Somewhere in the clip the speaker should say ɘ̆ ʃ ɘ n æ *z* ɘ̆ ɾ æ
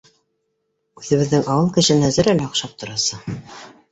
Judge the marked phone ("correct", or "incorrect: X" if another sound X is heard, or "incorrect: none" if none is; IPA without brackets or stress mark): correct